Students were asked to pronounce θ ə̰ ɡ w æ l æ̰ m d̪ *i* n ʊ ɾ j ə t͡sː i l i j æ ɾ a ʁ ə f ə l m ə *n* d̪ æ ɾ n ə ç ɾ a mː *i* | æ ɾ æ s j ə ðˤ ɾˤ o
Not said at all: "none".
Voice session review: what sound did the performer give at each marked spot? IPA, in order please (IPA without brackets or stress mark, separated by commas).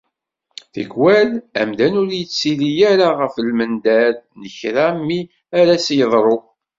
æ, n, i